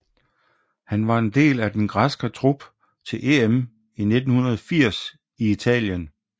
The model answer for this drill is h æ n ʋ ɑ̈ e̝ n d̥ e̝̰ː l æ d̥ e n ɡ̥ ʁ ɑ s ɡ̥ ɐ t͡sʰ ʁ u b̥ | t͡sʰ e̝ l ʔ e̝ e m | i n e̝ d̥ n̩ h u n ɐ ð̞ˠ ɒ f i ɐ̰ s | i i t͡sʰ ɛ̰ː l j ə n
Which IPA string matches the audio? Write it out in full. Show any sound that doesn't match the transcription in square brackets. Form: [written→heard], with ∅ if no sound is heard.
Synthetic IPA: h æ n ʋ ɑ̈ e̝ n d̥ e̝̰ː l æ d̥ e n ɡ̥ ʁ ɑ s ɡ̥ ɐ t͡sʰ ʁ u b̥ | t͡sʰ e̝ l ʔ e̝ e m | i n e̝ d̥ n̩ h u n ɐ ð̞ˠ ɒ f i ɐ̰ s | i i t͡sʰ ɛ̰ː l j ə n